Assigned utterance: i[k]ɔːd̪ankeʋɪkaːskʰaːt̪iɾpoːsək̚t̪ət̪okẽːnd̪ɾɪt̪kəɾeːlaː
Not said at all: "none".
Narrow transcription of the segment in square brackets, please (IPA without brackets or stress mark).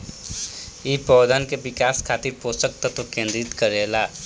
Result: p